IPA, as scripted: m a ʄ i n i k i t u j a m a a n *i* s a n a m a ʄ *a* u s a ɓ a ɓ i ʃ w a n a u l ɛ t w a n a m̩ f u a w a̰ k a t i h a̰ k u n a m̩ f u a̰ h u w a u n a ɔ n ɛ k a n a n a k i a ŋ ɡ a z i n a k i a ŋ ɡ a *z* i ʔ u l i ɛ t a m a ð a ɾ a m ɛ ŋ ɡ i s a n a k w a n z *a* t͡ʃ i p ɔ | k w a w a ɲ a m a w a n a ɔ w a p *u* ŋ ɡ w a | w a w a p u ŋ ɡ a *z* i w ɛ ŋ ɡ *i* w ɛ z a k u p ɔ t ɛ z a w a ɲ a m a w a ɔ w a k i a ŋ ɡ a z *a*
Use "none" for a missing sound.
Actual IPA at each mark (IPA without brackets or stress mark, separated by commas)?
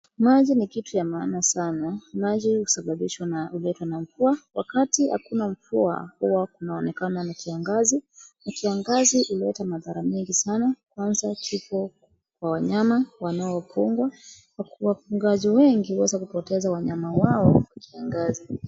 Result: a, i, z, a, u, z, i, i